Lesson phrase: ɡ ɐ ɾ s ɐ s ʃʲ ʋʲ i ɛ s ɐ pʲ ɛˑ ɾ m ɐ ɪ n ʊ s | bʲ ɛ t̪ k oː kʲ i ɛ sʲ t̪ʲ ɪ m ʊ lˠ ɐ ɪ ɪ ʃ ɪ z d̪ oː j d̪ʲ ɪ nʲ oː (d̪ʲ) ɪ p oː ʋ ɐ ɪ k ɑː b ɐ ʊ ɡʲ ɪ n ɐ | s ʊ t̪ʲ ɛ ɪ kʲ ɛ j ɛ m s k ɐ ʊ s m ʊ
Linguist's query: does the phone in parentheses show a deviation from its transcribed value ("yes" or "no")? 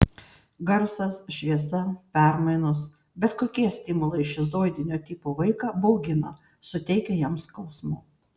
yes